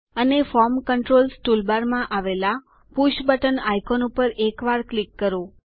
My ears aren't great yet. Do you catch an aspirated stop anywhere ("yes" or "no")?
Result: no